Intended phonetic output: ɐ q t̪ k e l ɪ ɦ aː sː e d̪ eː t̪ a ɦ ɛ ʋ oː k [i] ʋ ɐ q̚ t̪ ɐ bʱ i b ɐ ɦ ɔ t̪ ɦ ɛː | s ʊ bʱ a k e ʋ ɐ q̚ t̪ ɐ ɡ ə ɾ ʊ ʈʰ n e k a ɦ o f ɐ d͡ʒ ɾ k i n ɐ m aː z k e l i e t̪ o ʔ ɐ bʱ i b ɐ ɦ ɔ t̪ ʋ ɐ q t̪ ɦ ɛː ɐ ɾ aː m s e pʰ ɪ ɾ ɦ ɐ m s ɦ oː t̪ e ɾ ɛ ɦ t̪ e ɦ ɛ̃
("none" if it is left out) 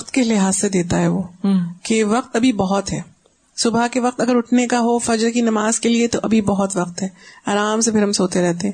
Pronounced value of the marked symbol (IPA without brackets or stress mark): e